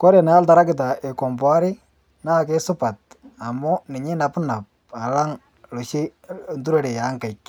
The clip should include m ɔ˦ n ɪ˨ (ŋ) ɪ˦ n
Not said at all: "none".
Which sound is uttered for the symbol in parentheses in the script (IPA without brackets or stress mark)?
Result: ɲ